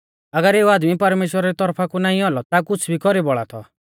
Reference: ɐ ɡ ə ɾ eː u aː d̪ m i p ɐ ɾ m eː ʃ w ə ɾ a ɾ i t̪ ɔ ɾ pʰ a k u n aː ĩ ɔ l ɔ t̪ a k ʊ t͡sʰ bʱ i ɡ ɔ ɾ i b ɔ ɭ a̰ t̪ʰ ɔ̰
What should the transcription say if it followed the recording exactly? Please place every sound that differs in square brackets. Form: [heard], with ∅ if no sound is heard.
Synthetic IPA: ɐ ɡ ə ɾ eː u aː d̪ m i p ɐ ɾ m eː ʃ w ə ɾ a ɾ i t̪ ɔ ɾ pʰ a k u n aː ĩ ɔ l ɔ t̪ a k ʊ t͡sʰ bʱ i [k] ɔ ɾ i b ɔ ɭ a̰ t̪ʰ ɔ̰